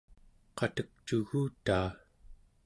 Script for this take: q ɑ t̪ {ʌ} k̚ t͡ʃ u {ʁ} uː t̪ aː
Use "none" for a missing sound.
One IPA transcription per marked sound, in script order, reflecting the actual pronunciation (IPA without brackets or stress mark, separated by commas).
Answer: ə, ɣ